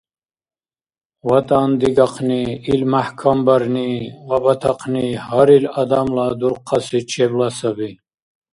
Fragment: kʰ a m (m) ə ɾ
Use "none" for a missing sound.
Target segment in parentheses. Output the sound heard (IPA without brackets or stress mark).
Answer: b